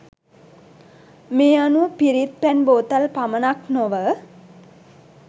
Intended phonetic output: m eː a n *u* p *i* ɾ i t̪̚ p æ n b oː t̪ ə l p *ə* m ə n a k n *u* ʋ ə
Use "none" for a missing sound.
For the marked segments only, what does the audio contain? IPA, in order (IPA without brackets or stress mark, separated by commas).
u, i, a, o